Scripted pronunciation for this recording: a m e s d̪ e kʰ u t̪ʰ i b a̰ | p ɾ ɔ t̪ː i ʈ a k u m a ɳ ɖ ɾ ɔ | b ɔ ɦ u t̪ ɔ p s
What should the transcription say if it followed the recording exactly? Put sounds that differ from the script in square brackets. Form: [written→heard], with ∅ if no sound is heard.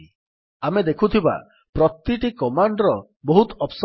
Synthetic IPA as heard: a m e [s→∅] d̪ e kʰ u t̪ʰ i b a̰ | p ɾ ɔ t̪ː i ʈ [a→i] k [u→ɔ] m a ɳ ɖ ɾ ɔ | b ɔ ɦ u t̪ ɔ p s